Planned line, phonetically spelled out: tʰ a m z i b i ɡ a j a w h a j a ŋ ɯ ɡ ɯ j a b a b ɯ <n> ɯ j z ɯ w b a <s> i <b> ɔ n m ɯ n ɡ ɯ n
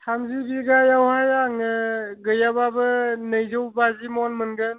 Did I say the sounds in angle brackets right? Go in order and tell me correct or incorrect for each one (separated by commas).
correct, incorrect, incorrect